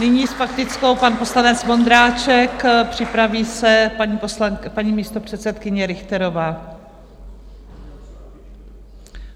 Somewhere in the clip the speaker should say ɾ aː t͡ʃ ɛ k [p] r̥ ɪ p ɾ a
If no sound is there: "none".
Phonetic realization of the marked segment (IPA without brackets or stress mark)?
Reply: p